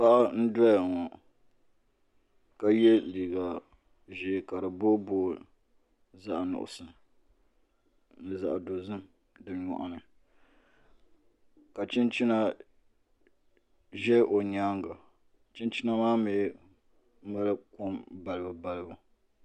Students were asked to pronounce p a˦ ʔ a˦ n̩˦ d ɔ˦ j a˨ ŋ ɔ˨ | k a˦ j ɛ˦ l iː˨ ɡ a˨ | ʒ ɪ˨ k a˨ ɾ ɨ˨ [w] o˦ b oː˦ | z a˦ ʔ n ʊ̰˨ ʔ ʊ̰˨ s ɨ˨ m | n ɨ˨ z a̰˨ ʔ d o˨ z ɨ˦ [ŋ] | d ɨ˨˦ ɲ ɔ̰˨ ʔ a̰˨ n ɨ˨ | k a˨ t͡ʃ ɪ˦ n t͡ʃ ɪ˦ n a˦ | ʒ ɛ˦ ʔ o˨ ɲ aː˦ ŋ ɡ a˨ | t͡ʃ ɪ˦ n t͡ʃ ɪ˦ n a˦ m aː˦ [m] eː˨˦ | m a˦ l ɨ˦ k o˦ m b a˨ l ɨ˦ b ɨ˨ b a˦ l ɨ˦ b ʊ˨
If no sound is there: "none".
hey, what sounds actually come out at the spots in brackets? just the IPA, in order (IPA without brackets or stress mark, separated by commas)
b, m, m